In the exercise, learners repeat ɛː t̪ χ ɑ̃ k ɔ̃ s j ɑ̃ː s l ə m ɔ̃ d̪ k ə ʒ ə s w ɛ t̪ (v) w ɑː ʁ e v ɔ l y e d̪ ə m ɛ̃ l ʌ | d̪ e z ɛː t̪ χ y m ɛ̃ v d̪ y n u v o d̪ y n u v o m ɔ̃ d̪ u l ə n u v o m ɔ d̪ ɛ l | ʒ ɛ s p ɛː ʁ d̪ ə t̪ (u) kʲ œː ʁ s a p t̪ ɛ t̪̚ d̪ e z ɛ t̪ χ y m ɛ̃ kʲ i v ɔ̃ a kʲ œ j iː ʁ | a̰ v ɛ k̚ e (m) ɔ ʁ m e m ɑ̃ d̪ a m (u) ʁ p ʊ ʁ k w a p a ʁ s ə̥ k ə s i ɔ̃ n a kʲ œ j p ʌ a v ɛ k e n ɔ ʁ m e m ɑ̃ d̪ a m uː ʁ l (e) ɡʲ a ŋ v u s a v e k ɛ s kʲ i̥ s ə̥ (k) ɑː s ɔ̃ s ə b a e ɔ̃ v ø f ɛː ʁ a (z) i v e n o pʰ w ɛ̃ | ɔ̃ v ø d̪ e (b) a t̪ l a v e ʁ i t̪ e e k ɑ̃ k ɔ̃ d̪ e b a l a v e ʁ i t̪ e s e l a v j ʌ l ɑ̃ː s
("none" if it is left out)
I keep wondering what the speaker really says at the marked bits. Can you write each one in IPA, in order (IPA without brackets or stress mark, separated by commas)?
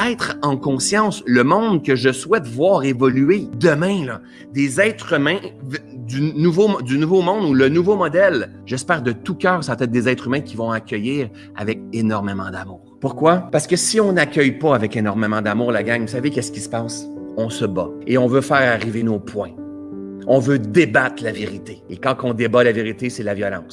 v, u, n, uː, a, p, ʁ, b